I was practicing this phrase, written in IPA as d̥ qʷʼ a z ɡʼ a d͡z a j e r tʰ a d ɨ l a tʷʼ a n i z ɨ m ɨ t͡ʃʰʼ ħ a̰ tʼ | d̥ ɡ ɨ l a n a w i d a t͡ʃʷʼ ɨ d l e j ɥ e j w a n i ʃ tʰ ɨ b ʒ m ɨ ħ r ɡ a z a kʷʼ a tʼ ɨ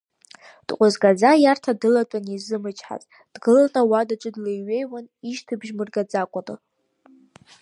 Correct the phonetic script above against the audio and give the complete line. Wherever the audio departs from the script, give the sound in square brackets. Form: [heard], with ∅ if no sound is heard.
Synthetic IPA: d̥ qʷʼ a z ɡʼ a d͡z a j [a] r tʰ a d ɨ l a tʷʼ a n i z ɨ m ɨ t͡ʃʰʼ ħ a̰ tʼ | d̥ ɡ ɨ l a n a w [a] d a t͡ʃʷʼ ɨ d l e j ɥ e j w a n i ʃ tʰ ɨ b ʒ m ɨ [∅] r ɡ a [d͡z] a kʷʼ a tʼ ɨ